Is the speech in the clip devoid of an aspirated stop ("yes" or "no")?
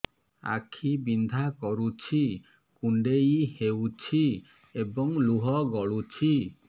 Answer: no